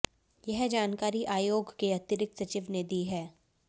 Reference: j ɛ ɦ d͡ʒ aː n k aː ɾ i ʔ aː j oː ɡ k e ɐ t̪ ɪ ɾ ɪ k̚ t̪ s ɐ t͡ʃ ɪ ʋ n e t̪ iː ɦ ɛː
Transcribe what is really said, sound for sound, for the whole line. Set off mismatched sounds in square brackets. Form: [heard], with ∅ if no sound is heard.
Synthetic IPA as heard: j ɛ ɦ d͡ʒ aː n k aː ɾ i ʔ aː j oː ɡ k e ɐ t̪ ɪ ɾ ɪ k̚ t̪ s ɐ t͡ʃ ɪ ʋ n e [d̪] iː ɦ ɛː